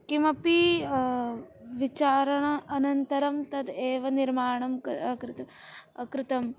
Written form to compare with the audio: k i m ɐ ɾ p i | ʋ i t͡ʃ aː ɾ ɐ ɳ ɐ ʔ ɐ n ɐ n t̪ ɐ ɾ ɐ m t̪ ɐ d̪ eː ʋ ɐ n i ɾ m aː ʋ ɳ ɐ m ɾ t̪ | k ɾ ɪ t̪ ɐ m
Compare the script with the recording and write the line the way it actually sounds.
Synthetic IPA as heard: k i m ɐ p i | ʋ i t͡ʃ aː ɾ ɐ ɳ ɐ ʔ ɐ n ɐ n t̪ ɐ ɾ ɐ m t̪ ɐ d̪ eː ʋ ɐ n i ɾ m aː ɳ ɐ m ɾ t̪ | k ɾ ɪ t̪ ɐ m